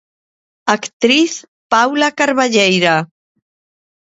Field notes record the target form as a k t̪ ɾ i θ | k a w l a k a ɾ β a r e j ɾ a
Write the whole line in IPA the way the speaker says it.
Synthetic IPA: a k t̪ ɾ i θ | p a w l a k a ɾ β a ʎ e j ɾ a